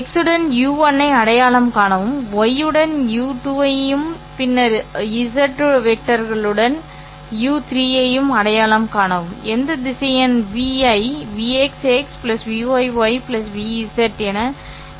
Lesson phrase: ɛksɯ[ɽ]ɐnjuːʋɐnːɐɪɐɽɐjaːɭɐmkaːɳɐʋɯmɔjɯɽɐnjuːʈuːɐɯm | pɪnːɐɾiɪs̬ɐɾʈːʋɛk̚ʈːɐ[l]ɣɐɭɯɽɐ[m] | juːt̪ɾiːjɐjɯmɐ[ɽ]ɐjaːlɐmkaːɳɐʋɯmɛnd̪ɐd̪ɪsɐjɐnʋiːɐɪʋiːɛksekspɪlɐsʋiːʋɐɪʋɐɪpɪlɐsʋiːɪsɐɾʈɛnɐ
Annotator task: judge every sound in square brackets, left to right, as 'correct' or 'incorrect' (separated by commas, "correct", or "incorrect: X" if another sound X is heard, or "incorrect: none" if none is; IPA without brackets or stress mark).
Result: correct, incorrect: ɾ, incorrect: n, correct